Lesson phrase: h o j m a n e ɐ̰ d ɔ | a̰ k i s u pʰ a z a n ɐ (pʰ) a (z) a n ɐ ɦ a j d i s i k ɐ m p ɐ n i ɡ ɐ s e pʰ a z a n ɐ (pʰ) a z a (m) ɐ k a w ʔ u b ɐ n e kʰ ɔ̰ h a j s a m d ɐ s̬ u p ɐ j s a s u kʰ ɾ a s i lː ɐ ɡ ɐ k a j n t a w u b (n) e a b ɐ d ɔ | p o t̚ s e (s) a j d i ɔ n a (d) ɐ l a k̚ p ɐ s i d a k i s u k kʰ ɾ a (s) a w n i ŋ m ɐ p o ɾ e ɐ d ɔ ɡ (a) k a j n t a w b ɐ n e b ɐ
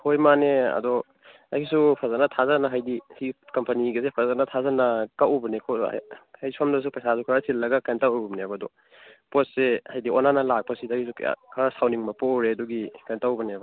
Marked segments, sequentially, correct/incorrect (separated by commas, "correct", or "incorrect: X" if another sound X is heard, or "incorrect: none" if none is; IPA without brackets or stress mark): incorrect: tʰ, correct, incorrect: tʰ, incorrect: n, correct, incorrect: h, incorrect: n, correct, incorrect: i